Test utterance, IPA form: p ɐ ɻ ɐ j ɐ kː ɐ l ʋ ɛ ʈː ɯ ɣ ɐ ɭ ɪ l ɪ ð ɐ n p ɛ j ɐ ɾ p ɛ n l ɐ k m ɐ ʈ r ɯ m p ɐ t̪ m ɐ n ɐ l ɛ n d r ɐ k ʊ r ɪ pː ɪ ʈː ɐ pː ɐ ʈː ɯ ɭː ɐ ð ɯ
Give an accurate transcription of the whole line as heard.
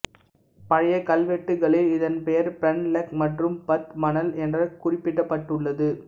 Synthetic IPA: p ɐ ɻ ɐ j ɐ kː ɐ l ʋ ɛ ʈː ɯ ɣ ɐ ɭ ɪ l ɪ ð ɐ n p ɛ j ɐ ɾ p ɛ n l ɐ k m ɐ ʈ r ɯ m p ɐ t̪ m ɐ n ɐ l ɛ n d r ɐ k ʊ r ɪ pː ɪ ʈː ɐ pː ɐ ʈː ɯ ɭː ɐ ð ɯ